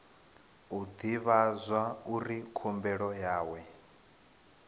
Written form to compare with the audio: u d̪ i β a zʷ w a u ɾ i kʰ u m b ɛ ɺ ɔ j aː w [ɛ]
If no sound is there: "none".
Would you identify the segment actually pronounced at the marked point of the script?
ɛ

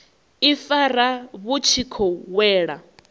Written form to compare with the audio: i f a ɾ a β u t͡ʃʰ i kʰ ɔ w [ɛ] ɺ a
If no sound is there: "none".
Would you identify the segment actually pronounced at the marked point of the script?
ɛː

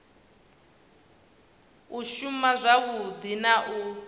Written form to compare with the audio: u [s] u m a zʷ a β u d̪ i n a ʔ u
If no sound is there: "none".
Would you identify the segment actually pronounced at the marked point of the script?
ʃ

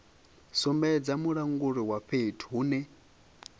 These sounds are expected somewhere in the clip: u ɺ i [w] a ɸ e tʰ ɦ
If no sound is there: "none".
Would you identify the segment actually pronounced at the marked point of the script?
w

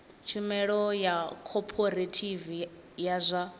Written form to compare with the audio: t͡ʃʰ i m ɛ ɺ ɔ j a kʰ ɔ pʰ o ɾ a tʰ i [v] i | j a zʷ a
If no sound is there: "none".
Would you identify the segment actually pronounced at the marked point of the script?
v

